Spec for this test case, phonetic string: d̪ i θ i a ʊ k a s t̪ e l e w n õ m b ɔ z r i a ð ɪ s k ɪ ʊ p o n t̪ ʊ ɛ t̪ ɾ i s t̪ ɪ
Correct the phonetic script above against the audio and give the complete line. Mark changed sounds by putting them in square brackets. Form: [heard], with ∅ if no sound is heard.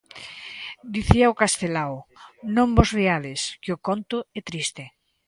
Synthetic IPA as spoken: d̪ i θ i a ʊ k a s t̪ e l [a] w n õ m b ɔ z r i a ð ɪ s k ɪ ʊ [k] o n t̪ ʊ ɛ t̪ ɾ i s t̪ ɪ